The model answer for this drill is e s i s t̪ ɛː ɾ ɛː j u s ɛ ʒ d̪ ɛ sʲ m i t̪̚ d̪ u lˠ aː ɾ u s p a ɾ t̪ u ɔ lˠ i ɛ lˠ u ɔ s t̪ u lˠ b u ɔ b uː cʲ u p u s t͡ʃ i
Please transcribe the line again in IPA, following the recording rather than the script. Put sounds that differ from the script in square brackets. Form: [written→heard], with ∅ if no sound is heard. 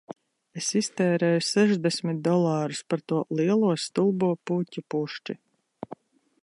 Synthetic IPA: e s i s t̪ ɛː ɾ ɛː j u s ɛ ʒ d̪ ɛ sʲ m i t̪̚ d̪ [u→ɔ] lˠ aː ɾ u s p a ɾ t̪ u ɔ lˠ i ɛ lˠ u ɔ s t̪ u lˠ b u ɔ [b→p] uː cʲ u p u [s→ʃ] t͡ʃ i